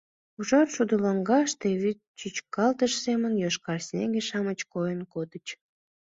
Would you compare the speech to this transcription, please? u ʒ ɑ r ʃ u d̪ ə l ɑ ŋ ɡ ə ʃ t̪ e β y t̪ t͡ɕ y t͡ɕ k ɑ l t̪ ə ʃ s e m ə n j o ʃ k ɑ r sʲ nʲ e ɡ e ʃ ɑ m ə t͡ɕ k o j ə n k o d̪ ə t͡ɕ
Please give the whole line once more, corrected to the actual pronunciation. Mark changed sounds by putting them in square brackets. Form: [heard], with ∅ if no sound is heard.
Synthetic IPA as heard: u ʒ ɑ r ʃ u d̪ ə l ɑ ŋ ɡ [ɑ] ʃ t̪ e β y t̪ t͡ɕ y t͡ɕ k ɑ l t̪ ə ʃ s e m ə n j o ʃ k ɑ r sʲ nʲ e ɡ e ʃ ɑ m ə t͡ɕ k o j ə n k o d̪ ə t͡ɕ